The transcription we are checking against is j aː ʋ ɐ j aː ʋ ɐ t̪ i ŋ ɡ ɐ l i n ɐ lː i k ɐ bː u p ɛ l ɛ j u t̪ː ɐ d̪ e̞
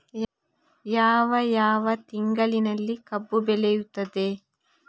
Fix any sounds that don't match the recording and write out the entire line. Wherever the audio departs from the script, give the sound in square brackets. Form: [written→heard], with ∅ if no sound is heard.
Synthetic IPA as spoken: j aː ʋ ɐ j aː ʋ ɐ t̪ i ŋ ɡ ɐ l i n ɐ lː i k ɐ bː u [p→b] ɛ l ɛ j u t̪ː ɐ d̪ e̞